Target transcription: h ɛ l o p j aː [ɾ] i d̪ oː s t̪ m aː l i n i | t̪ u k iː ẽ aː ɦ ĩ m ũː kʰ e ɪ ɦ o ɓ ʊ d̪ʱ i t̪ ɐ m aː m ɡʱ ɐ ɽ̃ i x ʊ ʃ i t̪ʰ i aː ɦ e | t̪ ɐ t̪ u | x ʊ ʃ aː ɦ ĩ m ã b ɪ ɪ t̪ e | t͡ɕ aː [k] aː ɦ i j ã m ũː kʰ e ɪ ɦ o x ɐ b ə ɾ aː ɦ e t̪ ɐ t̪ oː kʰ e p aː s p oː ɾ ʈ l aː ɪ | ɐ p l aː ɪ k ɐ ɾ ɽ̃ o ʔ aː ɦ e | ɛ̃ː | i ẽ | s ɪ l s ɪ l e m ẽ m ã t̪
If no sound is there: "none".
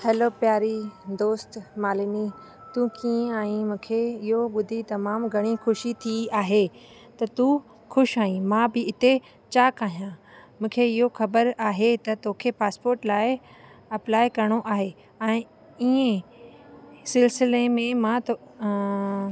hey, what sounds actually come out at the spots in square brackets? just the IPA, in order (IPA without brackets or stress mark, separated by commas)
ɾ, k